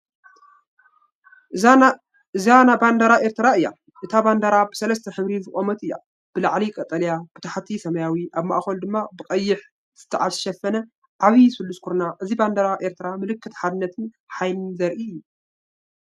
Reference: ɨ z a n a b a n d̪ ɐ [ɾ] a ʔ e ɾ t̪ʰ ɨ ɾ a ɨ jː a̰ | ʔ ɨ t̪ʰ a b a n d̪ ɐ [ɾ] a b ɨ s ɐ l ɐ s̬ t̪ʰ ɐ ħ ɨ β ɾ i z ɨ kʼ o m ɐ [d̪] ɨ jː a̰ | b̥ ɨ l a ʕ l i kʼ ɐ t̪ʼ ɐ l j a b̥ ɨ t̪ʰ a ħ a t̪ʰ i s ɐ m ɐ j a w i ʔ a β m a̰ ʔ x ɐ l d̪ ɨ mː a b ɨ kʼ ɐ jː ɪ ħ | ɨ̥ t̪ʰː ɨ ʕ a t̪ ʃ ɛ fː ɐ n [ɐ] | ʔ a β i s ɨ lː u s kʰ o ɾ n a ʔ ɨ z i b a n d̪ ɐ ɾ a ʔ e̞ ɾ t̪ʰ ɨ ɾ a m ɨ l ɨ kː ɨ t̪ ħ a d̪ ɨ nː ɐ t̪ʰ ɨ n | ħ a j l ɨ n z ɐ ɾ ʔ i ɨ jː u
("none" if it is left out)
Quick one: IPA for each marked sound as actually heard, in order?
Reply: ɾ, ɾ, t̪, ɐ

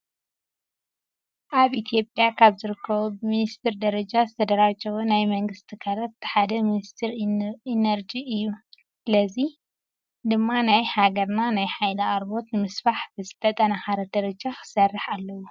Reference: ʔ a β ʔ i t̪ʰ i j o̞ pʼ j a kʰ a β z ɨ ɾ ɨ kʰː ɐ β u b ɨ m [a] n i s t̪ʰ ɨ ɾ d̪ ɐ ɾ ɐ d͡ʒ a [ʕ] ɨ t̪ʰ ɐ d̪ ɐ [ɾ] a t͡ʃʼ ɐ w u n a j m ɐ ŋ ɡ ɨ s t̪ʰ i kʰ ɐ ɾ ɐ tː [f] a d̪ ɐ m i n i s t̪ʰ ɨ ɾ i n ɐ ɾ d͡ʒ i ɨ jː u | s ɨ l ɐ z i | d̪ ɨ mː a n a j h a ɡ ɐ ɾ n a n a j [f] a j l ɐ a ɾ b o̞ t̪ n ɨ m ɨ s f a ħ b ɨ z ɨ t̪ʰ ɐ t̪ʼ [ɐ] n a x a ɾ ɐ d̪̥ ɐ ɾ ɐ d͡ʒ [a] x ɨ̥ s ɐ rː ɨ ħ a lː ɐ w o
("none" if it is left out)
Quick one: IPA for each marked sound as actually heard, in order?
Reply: i, z, ɾ, ħ, ħ, ɐ, a

